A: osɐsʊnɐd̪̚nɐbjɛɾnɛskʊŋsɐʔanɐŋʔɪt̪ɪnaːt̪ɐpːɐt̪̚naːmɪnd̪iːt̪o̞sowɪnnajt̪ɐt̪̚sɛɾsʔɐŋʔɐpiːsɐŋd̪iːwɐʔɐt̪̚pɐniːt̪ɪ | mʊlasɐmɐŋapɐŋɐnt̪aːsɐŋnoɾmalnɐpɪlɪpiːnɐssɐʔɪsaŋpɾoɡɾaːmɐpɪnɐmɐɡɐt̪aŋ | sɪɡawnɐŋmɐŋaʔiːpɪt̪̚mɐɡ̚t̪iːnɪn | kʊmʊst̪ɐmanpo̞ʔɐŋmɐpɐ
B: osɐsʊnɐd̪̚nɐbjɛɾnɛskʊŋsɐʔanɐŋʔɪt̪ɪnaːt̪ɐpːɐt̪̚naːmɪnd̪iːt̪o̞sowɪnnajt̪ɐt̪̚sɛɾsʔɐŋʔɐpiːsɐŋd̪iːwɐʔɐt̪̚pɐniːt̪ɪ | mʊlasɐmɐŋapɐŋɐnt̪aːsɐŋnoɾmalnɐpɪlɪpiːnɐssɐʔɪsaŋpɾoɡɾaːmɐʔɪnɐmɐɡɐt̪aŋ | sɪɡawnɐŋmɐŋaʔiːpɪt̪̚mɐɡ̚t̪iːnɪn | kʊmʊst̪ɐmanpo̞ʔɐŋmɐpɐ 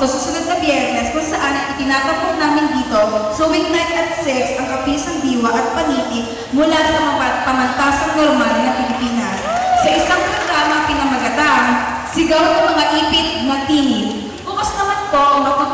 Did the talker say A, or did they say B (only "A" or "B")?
A